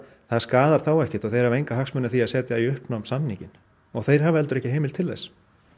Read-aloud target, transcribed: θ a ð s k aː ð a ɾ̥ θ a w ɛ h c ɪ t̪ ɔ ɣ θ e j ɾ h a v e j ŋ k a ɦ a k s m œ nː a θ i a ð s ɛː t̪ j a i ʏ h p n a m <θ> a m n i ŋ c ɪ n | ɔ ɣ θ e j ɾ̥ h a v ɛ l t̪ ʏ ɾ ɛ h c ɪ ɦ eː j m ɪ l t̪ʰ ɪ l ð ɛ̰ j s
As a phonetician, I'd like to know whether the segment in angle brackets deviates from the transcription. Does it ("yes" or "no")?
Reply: yes